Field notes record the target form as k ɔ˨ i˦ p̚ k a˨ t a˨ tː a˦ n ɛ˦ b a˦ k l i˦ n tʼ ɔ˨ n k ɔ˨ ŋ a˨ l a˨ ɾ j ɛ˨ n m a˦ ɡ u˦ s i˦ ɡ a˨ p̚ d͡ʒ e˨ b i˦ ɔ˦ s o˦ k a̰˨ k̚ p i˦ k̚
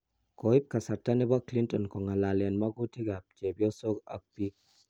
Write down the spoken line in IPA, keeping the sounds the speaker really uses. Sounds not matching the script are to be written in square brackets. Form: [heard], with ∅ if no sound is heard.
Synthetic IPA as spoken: k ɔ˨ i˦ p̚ k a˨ [s] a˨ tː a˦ n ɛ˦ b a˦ k l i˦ n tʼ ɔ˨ n k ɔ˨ ŋ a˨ l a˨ [l] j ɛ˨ n m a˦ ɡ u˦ [t] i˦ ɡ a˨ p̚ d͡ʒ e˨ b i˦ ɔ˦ s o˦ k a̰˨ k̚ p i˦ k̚